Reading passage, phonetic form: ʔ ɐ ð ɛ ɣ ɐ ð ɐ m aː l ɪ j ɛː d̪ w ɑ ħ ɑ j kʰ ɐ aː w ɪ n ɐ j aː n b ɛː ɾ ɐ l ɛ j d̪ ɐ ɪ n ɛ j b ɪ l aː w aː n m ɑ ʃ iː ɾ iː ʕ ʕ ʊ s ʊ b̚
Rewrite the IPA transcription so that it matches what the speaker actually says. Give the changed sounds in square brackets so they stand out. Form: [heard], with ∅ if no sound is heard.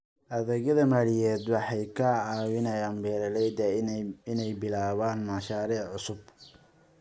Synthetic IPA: ʔ ɐ ð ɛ ɣ ɐ ð ɐ m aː l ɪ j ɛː d̪ w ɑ ħ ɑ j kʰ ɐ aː w ɪ n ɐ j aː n b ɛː ɾ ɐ l ɛ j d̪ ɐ ɪ n ɛ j b ɪ l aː [β] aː n m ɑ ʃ [aː] ɾ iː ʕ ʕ ʊ s ʊ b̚